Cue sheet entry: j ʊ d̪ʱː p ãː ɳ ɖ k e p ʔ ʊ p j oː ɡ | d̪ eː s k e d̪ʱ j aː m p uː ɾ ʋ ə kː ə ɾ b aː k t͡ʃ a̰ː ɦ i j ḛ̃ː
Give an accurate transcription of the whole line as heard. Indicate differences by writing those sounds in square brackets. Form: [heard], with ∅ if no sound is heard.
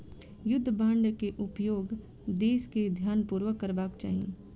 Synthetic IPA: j ʊ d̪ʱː [b] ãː ɳ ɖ k e [∅] ʔ ʊ p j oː ɡ | d̪ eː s k e d̪ʱ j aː [n] p uː ɾ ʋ ə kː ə ɾ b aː k t͡ʃ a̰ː ɦ i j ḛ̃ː